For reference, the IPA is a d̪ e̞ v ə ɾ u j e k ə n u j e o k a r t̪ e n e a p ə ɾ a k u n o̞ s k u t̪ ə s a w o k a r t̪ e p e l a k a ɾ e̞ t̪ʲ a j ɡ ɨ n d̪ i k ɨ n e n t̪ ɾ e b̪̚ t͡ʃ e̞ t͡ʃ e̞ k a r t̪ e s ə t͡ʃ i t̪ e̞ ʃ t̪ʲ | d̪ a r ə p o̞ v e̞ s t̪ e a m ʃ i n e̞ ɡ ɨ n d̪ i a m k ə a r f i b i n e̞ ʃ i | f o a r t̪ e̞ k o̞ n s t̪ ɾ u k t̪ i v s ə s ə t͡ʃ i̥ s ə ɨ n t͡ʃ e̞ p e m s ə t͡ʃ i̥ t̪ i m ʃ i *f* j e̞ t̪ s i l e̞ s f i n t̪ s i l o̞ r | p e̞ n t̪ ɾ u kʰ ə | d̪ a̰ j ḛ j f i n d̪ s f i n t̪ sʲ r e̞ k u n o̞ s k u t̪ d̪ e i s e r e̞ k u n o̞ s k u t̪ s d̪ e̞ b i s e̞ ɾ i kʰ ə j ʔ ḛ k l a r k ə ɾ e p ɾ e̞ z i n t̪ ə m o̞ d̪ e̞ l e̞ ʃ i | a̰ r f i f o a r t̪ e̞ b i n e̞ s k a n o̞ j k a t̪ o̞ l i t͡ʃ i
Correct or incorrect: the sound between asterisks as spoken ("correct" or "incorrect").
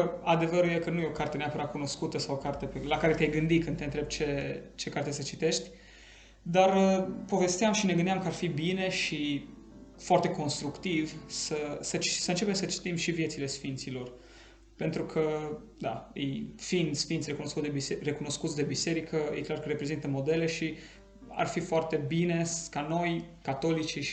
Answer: incorrect